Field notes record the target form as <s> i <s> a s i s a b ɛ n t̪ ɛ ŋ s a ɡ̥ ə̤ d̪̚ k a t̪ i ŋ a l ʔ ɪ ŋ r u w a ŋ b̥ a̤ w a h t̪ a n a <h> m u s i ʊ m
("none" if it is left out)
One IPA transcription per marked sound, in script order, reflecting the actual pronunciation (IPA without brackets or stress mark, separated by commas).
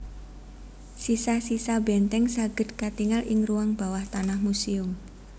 s, s, h